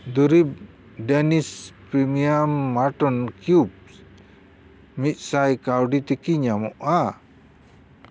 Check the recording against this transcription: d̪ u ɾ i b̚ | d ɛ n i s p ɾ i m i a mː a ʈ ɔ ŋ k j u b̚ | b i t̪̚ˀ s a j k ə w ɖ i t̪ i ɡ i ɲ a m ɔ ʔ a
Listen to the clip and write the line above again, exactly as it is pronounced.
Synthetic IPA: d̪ u ɾ i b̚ | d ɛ n i s p ɾ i m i a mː a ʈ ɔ n k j u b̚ | m i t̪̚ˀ s a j k a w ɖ i t̪ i k i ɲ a m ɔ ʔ a